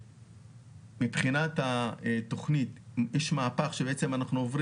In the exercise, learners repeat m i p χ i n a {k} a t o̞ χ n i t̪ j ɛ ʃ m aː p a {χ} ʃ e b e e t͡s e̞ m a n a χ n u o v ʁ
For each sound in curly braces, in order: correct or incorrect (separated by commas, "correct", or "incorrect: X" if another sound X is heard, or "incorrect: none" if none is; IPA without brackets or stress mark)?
incorrect: t, correct